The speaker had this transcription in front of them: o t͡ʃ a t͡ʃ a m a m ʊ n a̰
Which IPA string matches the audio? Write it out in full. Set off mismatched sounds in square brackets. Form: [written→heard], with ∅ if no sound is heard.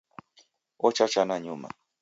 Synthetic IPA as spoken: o t͡ʃ a t͡ʃ a [m→n] a [m→ɲ] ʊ [n→m] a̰